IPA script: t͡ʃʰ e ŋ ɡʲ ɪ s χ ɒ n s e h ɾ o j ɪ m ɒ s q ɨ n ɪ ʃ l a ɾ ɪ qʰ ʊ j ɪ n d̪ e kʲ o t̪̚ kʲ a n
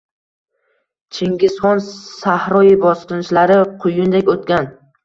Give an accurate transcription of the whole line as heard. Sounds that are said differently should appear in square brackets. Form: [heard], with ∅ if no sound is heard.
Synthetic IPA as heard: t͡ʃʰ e ŋ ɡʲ ɪ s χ ɒ n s [a] h ɾ [ɒ] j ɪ [b] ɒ s q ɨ n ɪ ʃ l a ɾ ɪ qʰ ʊ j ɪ n d̪ e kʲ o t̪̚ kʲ a n

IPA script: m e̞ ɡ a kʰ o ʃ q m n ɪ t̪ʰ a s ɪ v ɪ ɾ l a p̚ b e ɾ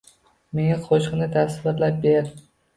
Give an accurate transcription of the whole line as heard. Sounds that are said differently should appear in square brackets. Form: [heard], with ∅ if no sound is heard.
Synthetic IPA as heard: m e̞ [ŋ] a [qʰ] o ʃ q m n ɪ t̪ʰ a s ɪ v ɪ ɾ l a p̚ b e ɾ

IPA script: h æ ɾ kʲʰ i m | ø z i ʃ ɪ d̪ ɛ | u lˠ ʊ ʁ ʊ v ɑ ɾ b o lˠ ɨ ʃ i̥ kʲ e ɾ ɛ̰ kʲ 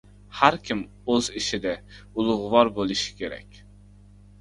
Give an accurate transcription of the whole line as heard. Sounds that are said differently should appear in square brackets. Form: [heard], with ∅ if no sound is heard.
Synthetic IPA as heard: h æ ɾ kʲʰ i m | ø z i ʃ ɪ d̪ ɛ | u lˠ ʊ ʁ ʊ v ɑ ɾ b o lˠ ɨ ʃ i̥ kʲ e ɾ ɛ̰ kʲ

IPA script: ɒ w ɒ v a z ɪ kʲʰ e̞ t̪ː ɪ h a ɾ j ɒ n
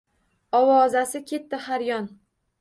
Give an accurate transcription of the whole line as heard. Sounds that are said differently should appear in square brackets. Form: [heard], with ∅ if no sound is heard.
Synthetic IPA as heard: ɒ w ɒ [z] a [s] ɪ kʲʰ e̞ t̪ː ɪ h a ɾ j ɒ n

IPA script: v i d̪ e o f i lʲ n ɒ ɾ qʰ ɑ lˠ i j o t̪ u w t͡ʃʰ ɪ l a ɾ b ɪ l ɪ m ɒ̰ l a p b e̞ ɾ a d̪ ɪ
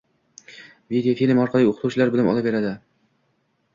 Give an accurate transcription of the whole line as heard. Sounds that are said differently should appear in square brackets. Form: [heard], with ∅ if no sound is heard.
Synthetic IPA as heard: v i d̪ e o f i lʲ [m] ɒ ɾ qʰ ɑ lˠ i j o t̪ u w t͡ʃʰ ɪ l a ɾ b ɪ l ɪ m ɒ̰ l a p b e̞ ɾ a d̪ ɪ

